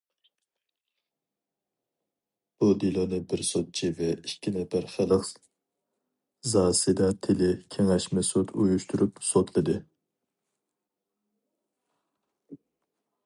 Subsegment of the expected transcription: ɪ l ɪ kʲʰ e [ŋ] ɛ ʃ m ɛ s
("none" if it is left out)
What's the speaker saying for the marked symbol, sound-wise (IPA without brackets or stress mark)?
ŋ